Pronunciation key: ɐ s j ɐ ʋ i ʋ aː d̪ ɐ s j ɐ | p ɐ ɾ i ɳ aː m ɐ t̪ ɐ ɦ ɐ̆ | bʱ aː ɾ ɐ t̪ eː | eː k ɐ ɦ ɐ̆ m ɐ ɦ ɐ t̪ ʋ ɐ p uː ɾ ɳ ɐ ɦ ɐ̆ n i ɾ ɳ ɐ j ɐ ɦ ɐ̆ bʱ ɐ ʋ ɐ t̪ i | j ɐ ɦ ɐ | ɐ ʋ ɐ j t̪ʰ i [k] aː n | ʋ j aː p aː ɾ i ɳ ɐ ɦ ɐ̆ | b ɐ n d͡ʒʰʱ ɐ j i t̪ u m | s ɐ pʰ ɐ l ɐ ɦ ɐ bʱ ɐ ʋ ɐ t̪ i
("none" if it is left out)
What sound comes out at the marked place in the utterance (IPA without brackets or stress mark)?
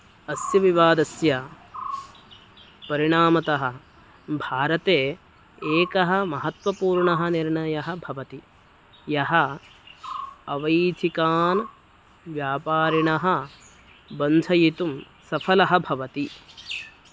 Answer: k